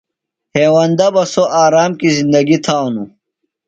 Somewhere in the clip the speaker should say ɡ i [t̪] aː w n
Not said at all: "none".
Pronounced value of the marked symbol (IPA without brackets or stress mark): t̪ʰ